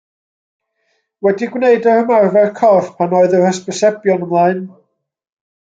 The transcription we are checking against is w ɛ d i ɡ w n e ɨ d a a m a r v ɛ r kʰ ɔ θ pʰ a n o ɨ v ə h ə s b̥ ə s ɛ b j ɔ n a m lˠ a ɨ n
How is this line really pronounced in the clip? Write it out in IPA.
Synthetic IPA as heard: w ɛ d i ɡ w n e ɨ d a ə m a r v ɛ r kʰ ɔ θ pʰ a n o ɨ ð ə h ə s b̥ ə s ɛ b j ɔ n ə m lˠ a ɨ n